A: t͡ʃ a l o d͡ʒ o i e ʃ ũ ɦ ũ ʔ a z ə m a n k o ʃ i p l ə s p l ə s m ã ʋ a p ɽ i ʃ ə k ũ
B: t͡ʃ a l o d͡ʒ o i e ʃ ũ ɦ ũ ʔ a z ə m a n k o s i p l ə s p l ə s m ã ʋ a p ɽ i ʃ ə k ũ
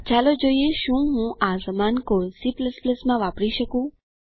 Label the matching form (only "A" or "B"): B